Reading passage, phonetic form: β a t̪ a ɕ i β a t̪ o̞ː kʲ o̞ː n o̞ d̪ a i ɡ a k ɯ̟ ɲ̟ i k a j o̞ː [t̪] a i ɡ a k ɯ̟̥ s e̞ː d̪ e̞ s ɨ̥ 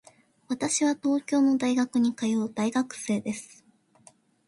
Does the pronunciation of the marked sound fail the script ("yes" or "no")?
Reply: yes